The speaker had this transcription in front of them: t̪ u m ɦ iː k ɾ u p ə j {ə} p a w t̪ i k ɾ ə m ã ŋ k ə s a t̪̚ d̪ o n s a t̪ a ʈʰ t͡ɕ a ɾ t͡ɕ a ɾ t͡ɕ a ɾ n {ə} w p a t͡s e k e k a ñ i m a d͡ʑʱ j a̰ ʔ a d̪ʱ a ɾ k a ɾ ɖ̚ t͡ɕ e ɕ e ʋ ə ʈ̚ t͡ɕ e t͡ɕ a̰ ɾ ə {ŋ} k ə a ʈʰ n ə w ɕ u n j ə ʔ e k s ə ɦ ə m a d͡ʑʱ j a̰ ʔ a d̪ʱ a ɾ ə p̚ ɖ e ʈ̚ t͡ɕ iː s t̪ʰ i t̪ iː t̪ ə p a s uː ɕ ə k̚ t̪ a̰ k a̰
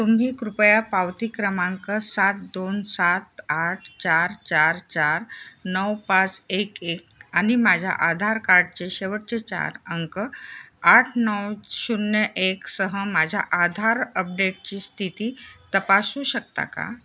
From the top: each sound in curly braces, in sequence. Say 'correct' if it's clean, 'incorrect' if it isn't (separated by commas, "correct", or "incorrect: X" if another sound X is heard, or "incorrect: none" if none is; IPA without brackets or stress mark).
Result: incorrect: a, correct, correct